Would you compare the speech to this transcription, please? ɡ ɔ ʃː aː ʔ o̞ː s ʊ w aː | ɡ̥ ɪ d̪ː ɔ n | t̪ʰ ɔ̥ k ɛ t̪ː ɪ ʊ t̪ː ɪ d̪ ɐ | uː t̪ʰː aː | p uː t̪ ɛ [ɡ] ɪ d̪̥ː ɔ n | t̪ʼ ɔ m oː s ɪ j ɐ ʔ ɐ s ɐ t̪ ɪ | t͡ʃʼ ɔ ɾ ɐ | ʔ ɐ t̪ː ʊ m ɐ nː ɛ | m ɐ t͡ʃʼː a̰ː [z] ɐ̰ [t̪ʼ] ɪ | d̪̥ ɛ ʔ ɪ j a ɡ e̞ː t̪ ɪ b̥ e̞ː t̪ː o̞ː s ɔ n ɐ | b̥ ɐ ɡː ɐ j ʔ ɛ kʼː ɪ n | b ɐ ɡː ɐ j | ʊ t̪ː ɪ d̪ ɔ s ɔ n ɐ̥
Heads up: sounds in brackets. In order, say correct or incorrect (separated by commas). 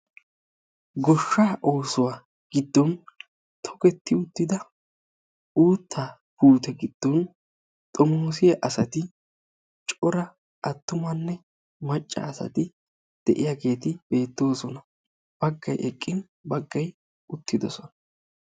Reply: correct, incorrect, incorrect